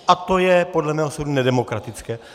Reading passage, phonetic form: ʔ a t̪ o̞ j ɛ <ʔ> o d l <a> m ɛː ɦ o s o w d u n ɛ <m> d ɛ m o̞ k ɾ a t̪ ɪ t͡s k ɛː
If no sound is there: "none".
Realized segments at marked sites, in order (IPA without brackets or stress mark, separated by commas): p, ɛ, none